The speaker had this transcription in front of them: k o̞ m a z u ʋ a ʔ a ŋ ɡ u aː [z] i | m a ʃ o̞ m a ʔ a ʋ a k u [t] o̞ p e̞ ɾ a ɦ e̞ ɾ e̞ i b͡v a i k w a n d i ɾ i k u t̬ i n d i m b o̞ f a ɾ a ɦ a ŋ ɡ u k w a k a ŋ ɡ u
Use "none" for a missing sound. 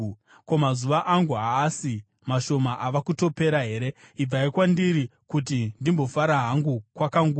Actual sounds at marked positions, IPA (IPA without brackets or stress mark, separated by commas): s, t